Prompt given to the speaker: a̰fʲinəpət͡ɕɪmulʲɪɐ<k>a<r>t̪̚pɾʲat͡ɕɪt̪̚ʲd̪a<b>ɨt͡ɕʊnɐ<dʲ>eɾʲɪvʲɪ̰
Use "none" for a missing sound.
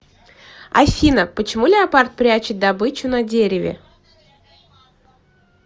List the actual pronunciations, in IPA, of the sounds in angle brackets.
p, r, b, dʲ

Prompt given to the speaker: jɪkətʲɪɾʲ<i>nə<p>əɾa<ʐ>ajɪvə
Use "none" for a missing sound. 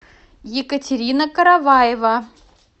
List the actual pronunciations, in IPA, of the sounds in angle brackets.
i, k, v

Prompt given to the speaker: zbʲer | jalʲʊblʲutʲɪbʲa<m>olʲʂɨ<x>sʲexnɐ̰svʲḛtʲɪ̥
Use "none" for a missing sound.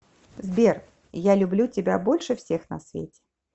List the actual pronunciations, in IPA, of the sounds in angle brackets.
b, f

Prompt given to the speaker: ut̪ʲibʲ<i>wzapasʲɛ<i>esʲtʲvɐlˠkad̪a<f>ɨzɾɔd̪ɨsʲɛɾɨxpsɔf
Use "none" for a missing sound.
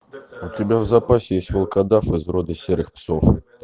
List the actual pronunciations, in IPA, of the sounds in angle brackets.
a, j, f

